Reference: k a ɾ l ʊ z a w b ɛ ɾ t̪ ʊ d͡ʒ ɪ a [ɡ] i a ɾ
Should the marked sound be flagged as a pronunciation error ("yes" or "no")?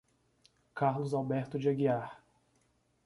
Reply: no